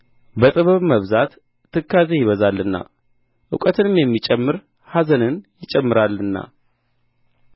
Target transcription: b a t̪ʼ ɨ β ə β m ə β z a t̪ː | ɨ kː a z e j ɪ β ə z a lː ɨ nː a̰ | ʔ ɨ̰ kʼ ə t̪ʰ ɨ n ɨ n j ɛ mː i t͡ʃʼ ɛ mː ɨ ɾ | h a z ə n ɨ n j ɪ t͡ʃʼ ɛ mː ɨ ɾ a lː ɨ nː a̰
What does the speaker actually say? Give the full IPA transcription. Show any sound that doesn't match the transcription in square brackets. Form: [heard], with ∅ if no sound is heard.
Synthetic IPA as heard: b [ə] t̪ʼ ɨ β ə β m ə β z a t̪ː | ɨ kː a z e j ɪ β ə z a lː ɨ nː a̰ | ʔ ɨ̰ kʼ ə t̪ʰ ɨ n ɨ [m] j ɛ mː i t͡ʃʼ ɛ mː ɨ ɾ | h a z ə n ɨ n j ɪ t͡ʃʼ ɛ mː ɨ ɾ a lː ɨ nː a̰